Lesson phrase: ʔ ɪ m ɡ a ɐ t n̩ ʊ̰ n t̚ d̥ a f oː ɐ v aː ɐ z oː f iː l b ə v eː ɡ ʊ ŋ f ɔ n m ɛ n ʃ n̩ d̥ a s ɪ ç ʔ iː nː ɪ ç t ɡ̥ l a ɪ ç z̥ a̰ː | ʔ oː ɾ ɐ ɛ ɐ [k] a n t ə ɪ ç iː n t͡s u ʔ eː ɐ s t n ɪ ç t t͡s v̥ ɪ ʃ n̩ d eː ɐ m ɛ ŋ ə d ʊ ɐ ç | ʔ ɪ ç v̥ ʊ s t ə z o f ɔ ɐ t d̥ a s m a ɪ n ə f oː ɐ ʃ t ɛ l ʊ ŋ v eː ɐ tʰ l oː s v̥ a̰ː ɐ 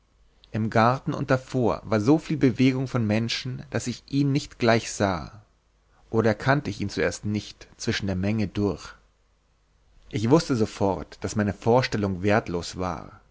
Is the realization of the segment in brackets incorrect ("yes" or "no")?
yes